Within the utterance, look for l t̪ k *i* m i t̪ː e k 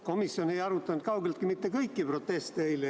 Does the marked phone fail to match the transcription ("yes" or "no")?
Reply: no